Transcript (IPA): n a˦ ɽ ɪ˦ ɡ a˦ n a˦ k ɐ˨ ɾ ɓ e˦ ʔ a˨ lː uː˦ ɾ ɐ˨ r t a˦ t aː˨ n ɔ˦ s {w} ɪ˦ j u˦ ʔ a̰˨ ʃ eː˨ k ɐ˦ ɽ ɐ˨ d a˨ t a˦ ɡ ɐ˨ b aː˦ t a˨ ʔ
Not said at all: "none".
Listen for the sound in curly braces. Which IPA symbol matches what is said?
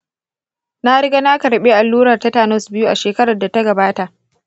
b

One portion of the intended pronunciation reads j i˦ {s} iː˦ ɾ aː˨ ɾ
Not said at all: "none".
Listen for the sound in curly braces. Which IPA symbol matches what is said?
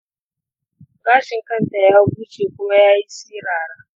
s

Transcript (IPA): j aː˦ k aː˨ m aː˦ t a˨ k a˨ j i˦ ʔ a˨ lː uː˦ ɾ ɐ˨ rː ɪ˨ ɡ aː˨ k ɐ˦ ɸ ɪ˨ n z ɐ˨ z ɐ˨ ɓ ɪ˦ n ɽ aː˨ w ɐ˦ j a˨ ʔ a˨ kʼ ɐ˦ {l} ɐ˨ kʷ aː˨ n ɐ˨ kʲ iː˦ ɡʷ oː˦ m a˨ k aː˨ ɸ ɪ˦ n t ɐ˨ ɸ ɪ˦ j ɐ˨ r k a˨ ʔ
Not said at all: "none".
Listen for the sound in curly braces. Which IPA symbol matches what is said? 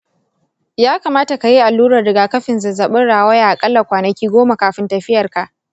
lː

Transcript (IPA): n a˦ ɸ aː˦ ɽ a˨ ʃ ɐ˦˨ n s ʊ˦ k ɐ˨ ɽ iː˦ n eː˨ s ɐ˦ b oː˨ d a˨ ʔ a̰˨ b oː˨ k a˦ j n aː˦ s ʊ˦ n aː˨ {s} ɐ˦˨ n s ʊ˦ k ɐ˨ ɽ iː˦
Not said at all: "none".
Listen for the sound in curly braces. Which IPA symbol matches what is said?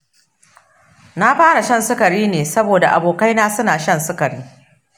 ʃ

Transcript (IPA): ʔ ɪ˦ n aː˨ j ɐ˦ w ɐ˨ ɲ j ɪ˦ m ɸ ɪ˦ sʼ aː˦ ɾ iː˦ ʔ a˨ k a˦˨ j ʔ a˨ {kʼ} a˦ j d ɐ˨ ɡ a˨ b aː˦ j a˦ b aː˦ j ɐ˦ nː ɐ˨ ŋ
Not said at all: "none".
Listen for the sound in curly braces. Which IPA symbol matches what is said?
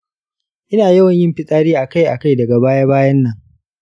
k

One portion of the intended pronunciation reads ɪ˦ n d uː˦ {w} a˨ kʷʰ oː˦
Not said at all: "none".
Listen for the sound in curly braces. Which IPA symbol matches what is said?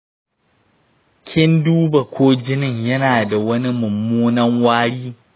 b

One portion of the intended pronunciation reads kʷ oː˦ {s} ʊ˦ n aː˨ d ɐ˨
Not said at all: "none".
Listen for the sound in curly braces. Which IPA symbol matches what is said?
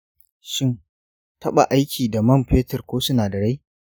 s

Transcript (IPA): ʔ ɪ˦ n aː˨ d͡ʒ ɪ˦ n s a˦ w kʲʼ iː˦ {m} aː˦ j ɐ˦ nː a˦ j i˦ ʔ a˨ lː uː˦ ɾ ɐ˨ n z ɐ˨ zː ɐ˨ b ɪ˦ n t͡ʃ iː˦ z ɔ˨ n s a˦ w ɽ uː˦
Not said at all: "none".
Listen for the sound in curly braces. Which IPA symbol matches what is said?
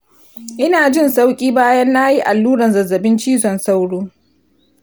b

